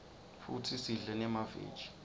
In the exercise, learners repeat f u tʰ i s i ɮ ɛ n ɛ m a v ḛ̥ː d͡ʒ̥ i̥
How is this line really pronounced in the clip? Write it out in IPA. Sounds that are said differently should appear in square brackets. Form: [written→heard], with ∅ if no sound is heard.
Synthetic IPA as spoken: f u tʰ i s i ɮ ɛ n ɛ m a v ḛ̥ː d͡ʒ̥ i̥